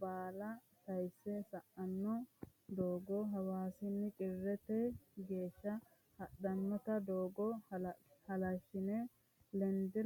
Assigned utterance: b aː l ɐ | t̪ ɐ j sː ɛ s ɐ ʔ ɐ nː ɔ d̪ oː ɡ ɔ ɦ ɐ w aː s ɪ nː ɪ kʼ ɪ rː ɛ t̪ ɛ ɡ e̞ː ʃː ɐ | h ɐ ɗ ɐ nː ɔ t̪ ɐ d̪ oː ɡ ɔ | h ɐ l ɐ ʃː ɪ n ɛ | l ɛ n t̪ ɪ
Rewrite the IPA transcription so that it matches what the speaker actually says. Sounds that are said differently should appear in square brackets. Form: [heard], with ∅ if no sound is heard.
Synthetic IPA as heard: b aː l ɐ | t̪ ɐ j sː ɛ s ɐ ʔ ɐ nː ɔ d̪ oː ɡ ɔ ɦ ɐ w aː s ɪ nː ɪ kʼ ɪ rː ɛ t̪ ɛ ɡ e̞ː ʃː ɐ | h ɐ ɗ ɐ nː ɔ t̪ ɐ d̪ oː ɡ ɔ | h ɐ l ɐ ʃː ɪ n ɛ | l ɛ n [d̪] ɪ